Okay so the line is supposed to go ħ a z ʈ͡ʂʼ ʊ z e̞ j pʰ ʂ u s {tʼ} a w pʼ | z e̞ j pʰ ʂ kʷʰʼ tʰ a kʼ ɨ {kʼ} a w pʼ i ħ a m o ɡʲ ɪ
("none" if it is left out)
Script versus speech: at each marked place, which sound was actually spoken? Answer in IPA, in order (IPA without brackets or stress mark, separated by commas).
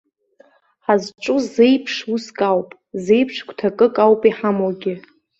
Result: kʼ, kʼ